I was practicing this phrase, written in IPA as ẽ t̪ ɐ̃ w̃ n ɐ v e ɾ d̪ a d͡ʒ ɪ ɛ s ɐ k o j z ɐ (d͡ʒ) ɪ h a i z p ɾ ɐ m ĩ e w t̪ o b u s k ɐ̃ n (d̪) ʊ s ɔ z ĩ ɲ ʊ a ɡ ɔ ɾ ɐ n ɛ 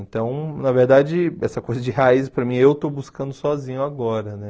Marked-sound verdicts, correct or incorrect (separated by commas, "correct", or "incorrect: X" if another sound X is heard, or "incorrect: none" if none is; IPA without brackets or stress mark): correct, correct